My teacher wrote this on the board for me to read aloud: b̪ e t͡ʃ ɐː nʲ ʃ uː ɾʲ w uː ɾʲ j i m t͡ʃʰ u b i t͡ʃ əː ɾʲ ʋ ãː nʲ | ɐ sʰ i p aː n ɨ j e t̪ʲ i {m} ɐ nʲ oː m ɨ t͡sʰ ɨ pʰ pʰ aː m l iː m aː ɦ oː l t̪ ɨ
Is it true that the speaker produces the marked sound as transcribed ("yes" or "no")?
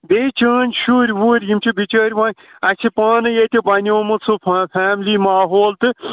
no